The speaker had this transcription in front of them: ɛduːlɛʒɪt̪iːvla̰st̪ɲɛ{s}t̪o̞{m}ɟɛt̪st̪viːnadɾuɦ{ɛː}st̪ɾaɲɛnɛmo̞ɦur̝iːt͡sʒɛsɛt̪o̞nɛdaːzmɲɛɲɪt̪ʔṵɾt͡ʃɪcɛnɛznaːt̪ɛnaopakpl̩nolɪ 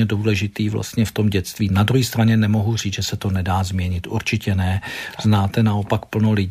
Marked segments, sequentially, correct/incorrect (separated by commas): incorrect, correct, incorrect